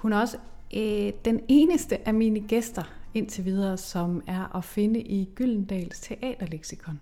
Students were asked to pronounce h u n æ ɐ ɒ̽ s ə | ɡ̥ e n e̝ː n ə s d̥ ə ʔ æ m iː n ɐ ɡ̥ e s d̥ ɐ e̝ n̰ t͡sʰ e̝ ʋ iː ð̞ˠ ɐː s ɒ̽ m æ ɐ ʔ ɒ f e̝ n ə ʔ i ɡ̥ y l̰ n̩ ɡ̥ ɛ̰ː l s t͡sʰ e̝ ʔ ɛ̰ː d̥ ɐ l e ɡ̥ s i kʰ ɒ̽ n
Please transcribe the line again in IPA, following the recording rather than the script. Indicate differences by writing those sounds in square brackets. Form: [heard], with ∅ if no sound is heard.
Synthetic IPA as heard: h u n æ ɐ ɒ̽ s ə | [d̥] e n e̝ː n ə s d̥ ə ʔ æ m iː n [ə] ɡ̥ e s d̥ ɐ e̝ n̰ t͡sʰ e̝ ʋ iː ð̞ˠ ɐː s ɒ̽ m æ ɐ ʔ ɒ f e̝ n ə ʔ i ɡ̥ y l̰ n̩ [d̥] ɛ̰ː l s t͡sʰ e̝ ʔ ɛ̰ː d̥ ɐ l e ɡ̥ s i kʰ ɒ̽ n